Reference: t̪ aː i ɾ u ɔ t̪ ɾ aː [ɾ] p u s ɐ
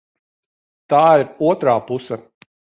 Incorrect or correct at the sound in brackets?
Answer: incorrect: none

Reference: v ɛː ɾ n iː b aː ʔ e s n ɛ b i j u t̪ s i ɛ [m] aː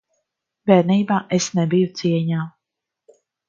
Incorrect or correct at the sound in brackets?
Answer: incorrect: ɲ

